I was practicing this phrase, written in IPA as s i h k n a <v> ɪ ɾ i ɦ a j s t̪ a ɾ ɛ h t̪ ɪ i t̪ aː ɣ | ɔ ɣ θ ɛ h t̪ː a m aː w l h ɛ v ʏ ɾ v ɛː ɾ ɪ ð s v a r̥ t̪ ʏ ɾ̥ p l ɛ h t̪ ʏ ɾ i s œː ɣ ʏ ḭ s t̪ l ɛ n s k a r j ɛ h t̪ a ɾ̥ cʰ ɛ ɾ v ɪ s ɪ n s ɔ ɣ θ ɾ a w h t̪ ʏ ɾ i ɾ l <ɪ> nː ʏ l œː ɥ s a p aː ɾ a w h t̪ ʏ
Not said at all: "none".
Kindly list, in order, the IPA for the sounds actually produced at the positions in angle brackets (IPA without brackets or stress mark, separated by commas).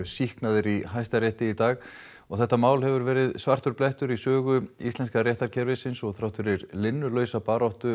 ð, ɪ